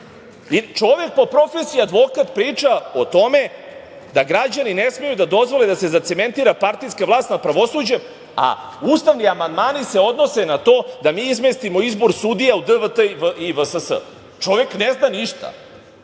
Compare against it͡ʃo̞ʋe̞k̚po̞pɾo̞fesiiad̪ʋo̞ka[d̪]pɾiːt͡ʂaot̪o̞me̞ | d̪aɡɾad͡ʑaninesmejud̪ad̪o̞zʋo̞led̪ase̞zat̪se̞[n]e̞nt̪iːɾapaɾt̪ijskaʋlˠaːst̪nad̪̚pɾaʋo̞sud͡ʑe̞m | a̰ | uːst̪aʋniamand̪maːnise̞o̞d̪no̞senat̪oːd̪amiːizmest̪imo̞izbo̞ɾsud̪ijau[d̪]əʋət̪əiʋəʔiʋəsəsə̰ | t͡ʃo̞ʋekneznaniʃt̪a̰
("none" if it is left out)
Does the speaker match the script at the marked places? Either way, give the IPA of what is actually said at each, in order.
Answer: t̪, m, d̪

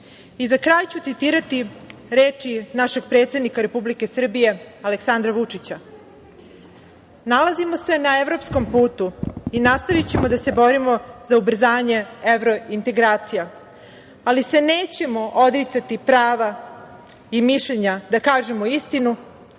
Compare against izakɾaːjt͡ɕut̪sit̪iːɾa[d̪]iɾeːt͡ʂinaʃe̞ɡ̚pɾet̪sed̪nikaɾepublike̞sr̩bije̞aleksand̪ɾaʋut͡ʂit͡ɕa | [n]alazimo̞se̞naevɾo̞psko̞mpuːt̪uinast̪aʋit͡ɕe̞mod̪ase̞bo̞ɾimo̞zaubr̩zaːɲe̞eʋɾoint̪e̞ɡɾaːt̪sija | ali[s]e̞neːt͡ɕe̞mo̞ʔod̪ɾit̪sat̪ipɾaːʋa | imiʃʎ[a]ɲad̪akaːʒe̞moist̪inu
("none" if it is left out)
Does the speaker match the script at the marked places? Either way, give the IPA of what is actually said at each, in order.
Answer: t̪, n, s, e

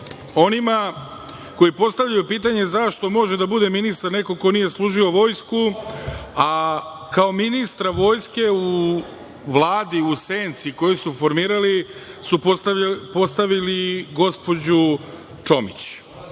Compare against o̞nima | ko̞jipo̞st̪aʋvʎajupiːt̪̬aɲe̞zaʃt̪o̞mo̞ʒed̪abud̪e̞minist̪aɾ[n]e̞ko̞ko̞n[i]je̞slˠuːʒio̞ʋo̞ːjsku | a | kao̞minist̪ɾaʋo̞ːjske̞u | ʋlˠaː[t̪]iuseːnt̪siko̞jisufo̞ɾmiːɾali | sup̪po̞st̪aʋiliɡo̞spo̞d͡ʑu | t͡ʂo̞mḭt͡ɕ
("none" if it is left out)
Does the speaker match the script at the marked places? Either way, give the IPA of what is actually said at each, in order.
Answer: n, i, d̪

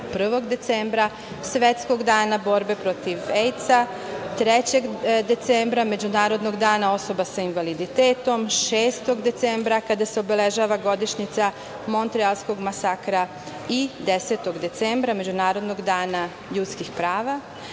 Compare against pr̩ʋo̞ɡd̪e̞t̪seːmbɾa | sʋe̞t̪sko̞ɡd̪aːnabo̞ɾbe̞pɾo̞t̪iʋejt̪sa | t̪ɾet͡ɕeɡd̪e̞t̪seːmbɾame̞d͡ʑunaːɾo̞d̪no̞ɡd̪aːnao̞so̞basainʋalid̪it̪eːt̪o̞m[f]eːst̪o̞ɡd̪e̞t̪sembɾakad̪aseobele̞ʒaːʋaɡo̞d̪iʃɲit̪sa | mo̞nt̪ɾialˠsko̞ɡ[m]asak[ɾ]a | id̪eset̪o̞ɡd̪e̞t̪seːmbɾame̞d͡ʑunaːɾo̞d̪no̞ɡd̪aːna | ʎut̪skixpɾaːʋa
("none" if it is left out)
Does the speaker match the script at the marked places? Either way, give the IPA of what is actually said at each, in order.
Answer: ʃ, m, ɾ

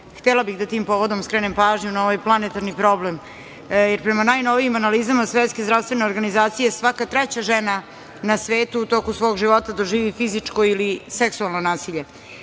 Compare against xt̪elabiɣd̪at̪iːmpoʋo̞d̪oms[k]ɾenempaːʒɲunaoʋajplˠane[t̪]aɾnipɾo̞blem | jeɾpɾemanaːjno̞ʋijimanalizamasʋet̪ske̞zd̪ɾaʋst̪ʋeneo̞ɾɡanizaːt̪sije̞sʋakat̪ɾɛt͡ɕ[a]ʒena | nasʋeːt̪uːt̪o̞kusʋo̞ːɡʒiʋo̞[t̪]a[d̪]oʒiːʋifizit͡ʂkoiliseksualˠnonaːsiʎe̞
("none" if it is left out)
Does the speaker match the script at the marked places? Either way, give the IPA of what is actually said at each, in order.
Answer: k, t̪, a, t̪, d̪

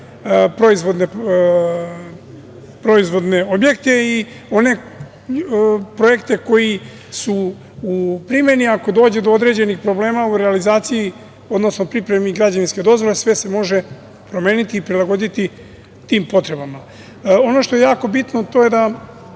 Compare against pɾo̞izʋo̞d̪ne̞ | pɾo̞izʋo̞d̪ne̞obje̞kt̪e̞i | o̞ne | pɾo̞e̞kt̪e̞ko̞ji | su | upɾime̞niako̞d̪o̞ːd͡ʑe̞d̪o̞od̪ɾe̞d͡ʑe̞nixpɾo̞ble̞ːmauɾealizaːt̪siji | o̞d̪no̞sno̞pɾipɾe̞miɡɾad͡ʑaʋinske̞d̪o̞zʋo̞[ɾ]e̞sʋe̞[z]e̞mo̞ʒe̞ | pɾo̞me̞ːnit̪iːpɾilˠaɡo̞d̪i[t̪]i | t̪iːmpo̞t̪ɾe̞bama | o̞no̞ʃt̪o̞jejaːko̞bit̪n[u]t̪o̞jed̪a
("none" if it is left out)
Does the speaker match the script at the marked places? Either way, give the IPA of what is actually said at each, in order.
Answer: l, s, t̪, o

